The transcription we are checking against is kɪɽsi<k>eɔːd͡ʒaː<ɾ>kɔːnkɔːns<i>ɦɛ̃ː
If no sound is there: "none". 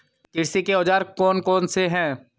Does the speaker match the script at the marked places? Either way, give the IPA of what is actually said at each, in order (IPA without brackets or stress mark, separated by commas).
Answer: k, ɾ, e